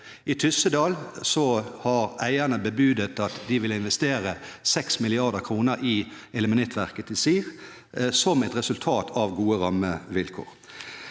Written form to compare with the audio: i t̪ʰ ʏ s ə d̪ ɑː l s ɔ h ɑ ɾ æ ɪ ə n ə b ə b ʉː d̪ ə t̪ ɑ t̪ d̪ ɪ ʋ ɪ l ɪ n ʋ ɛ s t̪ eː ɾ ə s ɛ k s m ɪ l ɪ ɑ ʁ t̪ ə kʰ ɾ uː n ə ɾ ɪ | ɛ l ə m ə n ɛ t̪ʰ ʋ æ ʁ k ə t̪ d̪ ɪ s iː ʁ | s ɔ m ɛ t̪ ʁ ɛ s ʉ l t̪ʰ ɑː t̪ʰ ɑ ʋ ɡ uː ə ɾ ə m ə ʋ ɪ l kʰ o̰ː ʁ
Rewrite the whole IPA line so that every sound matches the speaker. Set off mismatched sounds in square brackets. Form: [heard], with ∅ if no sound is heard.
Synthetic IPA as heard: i t̪ʰ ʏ s ə d̪ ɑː l s ɔ h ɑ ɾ æ ɪ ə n ə b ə b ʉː d̪ ə t̪ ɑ t̪ d̪ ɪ ʋ ɪ l ɪ n ʋ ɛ s t̪ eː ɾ ə s ɛ k s m ɪ l ɪ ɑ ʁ [d̪] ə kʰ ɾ uː n ə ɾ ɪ | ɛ l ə m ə n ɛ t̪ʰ ʋ æ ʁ k ə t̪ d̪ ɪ s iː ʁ | s ɔ m ɛ t̪ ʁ ɛ s ʉ l t̪ʰ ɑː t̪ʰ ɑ ʋ ɡ uː ə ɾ [ɑ] m ə ʋ ɪ l kʰ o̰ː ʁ